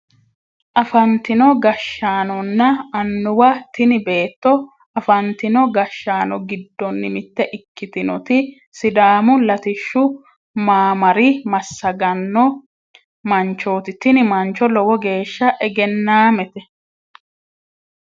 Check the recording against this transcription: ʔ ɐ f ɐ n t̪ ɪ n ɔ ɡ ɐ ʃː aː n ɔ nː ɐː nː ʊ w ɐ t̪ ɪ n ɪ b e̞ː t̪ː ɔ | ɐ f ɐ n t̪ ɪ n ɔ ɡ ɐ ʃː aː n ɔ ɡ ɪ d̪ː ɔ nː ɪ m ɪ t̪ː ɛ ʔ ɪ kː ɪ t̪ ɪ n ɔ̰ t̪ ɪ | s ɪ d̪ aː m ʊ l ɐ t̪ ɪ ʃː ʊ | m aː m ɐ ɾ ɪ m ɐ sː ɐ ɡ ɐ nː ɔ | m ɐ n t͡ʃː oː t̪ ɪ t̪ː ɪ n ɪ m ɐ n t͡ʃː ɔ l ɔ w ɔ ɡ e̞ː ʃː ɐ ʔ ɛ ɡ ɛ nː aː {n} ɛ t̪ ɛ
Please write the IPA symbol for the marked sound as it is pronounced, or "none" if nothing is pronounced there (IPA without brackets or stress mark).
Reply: m